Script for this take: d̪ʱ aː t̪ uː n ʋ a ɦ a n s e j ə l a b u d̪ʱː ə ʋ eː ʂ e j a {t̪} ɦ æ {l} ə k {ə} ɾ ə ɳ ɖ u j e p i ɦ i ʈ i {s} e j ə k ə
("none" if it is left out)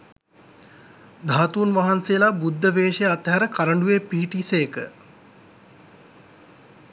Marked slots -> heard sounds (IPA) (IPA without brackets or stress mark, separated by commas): t̪, ɾ, a, s